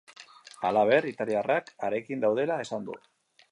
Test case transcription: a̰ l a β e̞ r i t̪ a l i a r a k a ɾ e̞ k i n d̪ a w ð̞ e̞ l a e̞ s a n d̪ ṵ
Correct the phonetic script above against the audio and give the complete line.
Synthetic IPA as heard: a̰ l a β e̞ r i t̪ a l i a r a k a ɾ e̞ k i n d̪ a w ð̞ e̞ l a e̞ s a n d̪ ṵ